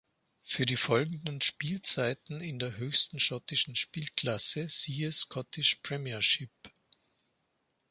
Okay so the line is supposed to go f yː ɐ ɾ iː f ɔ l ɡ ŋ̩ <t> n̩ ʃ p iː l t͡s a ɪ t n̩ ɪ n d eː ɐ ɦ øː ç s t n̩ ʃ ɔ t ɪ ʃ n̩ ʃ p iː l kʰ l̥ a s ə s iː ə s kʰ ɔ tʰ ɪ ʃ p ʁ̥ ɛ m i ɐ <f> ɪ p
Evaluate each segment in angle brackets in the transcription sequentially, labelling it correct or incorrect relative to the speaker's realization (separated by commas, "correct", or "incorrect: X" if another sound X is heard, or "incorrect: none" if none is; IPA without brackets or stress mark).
incorrect: d, incorrect: ʃ